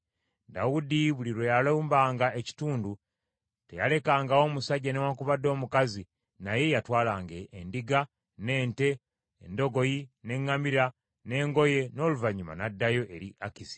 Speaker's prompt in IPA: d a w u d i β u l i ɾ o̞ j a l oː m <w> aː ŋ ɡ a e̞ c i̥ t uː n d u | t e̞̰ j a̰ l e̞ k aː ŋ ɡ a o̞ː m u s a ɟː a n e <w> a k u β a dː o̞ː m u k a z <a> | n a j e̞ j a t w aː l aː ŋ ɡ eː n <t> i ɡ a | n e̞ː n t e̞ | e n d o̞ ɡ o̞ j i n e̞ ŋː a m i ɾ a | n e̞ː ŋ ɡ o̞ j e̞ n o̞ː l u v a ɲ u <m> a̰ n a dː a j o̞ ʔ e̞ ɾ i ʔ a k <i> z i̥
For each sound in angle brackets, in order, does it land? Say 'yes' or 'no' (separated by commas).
no, yes, no, no, yes, yes